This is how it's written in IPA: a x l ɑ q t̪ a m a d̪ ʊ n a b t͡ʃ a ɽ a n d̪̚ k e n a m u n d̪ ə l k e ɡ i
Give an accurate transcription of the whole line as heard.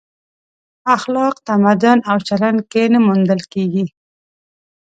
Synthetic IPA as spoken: a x l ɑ q t̪ a m a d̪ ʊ n a w t͡ʃ a l a n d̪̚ k e n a m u n d̪ ə l k e ɡ i